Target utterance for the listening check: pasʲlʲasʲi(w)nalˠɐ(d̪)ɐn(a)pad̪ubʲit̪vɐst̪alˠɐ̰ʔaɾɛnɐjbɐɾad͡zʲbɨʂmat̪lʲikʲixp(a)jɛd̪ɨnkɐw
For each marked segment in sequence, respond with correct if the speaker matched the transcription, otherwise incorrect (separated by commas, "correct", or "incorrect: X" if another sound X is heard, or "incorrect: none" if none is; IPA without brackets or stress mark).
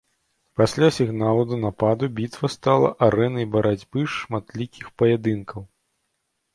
incorrect: ɣ, correct, correct, incorrect: ɐ